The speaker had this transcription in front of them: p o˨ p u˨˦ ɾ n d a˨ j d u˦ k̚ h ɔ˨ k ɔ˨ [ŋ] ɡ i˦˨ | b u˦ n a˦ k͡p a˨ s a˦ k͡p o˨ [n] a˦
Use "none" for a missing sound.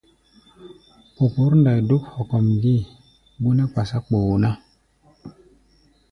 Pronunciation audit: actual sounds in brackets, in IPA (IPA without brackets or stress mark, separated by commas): m, n